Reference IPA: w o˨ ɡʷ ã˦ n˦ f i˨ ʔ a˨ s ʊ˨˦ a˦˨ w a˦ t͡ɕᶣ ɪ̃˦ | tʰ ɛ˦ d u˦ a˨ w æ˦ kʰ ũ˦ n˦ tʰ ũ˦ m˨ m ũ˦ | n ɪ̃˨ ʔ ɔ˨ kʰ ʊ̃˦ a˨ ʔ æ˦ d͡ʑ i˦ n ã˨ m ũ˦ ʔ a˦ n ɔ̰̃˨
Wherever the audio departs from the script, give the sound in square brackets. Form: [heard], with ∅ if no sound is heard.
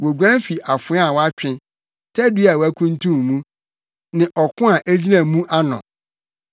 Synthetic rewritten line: w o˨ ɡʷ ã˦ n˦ f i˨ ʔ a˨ [f] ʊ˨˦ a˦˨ w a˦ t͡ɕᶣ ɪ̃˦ | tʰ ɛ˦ d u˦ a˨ w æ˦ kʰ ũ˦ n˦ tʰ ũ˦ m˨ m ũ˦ | n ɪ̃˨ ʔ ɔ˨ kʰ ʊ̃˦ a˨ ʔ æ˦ d͡ʑ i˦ n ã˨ m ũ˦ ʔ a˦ n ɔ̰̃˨